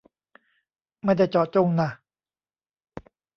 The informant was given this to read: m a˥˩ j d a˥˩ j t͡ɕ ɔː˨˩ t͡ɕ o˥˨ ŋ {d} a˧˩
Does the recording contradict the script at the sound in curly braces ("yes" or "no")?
yes